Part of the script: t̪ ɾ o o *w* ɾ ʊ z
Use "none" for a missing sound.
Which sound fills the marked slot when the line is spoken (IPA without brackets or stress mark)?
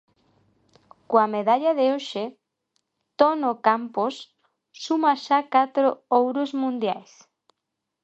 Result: w